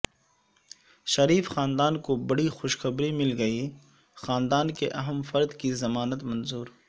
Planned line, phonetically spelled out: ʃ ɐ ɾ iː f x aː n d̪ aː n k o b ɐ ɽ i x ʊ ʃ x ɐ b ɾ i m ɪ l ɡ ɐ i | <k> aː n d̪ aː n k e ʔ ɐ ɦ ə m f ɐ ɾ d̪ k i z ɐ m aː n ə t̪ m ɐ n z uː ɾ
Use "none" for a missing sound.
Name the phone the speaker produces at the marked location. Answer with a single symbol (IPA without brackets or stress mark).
x